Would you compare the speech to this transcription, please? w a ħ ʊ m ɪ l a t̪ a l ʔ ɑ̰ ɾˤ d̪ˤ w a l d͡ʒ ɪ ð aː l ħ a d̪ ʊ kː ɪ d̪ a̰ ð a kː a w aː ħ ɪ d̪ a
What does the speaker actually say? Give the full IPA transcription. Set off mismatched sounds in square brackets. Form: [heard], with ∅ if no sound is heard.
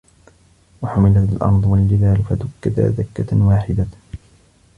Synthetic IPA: w a ħ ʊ m ɪ l a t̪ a l ʔ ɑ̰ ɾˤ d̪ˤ w a l d͡ʒ ɪ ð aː l [f] a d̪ ʊ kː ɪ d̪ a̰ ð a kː a w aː ħ ɪ d̪ a